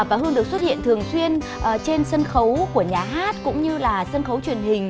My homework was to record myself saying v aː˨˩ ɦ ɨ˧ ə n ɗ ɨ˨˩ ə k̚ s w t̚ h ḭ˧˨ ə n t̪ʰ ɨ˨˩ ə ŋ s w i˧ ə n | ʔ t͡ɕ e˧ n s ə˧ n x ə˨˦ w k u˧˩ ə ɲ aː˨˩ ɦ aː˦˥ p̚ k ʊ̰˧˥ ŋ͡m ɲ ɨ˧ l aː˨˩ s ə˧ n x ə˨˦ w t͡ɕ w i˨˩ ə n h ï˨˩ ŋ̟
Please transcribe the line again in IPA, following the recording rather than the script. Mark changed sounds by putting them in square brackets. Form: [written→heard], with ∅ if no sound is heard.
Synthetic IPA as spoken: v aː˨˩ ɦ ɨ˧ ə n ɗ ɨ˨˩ ə k̚ s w t̚ h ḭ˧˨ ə n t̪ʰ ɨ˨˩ ə ŋ s w i˧ ə n | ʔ t͡ɕ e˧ n s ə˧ n x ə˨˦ w k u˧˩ ə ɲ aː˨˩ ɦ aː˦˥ [p̚→t̚] k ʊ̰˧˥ ŋ͡m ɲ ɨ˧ l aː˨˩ s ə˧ n x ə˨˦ w t͡ɕ w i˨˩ ə n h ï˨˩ ŋ̟